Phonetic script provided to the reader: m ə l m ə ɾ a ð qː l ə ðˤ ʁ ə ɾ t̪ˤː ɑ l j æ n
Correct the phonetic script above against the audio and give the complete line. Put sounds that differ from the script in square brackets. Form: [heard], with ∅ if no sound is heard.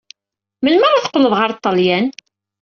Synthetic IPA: m ə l m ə ɾ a [θ] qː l ə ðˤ ʁ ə ɾ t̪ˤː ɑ l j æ n